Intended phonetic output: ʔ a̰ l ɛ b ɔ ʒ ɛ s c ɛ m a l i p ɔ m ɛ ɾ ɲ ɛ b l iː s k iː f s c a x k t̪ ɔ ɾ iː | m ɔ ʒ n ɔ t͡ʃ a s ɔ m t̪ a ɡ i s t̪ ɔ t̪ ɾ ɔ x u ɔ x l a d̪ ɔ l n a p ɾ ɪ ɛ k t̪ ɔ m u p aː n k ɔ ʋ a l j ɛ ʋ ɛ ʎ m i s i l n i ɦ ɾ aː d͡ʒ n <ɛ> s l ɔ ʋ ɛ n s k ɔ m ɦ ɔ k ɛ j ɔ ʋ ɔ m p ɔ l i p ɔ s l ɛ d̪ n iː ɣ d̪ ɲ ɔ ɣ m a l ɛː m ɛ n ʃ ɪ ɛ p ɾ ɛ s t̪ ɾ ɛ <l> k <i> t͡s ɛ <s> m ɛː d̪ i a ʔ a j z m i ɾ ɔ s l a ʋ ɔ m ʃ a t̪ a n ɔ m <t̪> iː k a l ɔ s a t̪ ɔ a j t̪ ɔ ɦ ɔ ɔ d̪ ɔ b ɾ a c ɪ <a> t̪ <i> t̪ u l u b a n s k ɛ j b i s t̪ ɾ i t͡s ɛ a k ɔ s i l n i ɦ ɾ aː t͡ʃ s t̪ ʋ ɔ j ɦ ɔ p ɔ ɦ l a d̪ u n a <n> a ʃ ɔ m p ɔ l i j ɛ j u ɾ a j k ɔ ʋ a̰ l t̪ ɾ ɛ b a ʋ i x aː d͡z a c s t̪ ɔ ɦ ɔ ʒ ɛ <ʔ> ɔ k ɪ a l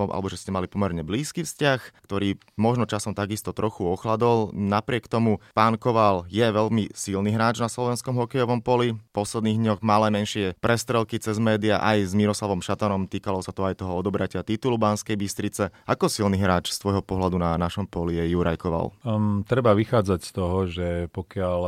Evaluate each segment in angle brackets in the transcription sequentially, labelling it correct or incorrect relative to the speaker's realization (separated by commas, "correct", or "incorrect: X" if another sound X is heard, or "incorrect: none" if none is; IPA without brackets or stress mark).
incorrect: a, correct, correct, incorrect: z, correct, correct, correct, correct, incorrect: p